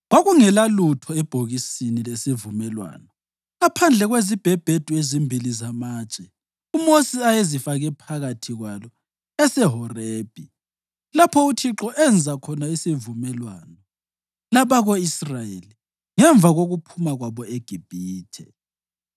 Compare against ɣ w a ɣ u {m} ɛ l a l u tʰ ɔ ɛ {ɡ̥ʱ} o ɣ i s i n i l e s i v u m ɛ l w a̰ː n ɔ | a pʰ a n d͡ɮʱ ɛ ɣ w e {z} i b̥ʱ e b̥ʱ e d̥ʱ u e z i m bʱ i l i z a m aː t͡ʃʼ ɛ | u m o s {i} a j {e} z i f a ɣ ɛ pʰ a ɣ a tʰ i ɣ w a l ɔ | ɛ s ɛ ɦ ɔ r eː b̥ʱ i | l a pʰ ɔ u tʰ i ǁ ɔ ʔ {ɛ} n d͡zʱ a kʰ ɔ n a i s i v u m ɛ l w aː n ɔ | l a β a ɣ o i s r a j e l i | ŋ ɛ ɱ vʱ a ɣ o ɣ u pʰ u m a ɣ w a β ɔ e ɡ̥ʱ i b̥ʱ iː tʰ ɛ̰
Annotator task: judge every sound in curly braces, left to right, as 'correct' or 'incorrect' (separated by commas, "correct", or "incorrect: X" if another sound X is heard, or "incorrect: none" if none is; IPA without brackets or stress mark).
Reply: incorrect: ŋ, incorrect: b̥ʱ, correct, correct, correct, correct